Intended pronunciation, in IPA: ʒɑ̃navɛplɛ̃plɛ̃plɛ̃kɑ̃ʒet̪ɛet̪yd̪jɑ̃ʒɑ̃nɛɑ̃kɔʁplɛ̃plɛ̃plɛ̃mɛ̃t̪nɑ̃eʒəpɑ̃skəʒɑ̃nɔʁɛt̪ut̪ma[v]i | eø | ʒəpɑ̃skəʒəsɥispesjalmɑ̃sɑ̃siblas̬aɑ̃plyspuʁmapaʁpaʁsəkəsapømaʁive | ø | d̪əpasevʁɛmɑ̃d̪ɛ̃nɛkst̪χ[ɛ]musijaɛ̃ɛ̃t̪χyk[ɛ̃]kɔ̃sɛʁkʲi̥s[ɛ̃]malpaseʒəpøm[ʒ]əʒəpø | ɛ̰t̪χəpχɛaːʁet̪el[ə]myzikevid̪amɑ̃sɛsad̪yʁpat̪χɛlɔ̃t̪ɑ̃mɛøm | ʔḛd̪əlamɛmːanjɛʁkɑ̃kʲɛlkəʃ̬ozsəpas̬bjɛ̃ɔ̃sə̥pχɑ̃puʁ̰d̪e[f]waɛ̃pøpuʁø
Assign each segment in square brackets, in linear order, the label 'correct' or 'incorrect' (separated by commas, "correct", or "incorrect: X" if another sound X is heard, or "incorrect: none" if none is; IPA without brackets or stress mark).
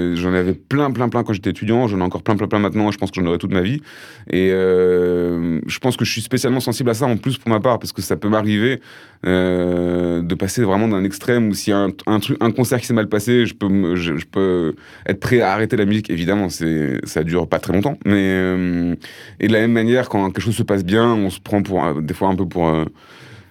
correct, correct, correct, incorrect: ɛ, correct, incorrect: a, correct